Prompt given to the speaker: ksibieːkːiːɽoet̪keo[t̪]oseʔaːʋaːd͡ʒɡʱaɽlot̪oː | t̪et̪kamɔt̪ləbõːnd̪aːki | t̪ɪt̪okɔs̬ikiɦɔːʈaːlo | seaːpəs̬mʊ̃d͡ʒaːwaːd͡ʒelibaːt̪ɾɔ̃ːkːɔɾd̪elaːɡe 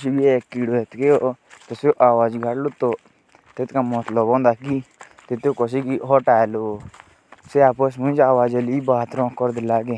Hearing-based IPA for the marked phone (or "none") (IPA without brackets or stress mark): t̪